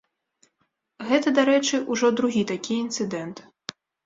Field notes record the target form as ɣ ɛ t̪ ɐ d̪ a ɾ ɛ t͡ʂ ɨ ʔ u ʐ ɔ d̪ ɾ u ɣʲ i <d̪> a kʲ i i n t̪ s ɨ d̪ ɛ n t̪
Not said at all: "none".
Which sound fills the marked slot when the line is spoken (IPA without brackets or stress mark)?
t̪